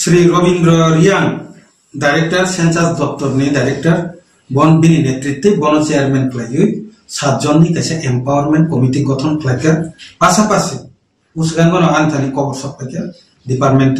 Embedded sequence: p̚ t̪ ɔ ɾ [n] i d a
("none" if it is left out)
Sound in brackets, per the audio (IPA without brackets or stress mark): n